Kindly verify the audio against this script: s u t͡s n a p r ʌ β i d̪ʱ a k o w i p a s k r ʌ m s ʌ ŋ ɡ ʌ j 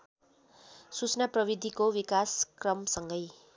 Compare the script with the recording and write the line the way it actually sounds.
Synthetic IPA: s u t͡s n a p r ʌ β i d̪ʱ i k o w i k a s k r ʌ m s ʌ ŋ ɡ ʌ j